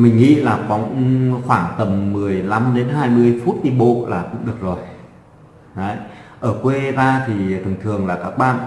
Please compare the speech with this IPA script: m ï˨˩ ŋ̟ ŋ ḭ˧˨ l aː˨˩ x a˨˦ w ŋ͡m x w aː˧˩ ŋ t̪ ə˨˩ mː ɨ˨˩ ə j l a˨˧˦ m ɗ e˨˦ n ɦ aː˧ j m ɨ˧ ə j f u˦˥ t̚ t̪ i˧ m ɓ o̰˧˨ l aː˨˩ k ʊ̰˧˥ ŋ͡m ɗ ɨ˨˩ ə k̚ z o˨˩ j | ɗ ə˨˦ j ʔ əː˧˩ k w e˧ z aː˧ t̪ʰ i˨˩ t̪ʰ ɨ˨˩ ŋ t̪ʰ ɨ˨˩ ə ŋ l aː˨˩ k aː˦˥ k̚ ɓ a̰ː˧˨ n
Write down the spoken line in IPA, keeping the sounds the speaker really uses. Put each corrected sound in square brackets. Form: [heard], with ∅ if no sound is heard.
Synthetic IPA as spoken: m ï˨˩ ŋ̟ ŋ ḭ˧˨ l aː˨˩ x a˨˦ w ŋ͡m x w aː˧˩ ŋ t̪ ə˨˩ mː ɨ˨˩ ə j l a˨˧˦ m ɗ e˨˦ n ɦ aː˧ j m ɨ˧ ə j f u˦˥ t̚ t̪ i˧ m ɓ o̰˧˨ l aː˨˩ k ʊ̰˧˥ ŋ͡m ɗ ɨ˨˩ ə k̚ z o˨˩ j | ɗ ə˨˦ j ʔ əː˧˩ k w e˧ z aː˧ t̪ʰ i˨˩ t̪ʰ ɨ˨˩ ŋ t̪ʰ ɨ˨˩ ə ŋ l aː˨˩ k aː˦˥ k̚ ɓ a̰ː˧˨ n